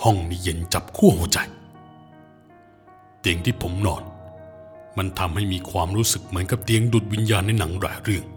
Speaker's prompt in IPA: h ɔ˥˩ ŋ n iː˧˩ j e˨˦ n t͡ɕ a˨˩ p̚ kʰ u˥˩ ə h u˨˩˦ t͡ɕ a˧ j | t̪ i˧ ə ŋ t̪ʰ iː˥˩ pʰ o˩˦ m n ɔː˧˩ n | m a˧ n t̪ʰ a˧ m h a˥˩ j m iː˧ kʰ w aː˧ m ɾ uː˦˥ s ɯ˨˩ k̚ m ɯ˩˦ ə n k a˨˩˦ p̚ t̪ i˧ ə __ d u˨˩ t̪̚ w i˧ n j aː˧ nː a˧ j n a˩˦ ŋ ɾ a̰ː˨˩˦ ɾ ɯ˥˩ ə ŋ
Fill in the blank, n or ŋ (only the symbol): ŋ